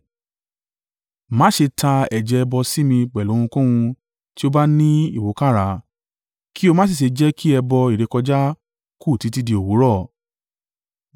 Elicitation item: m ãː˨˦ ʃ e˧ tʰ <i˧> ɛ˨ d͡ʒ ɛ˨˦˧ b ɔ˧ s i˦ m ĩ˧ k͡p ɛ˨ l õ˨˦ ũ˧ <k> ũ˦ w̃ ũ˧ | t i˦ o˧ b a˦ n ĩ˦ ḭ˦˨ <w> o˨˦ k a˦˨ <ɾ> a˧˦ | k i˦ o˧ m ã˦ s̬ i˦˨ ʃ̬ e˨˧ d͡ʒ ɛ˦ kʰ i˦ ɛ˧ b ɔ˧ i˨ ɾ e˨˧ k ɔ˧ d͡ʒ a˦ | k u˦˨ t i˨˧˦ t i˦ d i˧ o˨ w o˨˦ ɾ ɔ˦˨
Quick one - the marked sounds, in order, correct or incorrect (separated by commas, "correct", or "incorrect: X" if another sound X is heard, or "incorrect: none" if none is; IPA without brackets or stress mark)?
incorrect: a˧, correct, correct, correct